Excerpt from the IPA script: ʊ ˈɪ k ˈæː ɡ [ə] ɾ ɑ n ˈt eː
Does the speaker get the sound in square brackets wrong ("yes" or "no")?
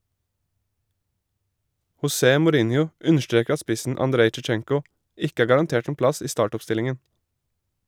yes